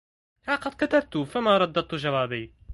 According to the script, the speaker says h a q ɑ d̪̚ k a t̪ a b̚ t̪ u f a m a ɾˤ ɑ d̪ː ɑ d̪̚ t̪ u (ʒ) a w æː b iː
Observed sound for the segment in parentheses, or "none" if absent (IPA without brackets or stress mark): ʒ